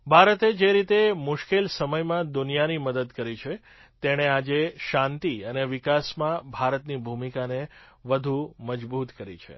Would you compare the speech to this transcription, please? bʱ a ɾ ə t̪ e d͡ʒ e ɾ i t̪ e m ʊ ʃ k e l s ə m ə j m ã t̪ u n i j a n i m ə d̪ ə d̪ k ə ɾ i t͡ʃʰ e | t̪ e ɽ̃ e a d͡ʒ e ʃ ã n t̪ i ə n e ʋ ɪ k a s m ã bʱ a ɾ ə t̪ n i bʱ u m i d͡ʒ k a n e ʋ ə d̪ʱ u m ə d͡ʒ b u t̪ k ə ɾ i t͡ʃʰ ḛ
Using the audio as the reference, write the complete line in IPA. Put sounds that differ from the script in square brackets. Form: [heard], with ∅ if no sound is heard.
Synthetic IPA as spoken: bʱ a ɾ ə t̪ e d͡ʒ e ɾ i t̪ e m ʊ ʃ k e l s ə m ə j m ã [d̪] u n i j a n i m ə d̪ ə d̪ k ə ɾ i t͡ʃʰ e | t̪ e ɽ̃ e a d͡ʒ e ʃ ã n t̪ i ə n e ʋ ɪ k a s m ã bʱ a ɾ ə t̪ n i bʱ u m i [∅] k a n e ʋ ə d̪ʱ u m ə d͡ʒ b u t̪ k ə ɾ i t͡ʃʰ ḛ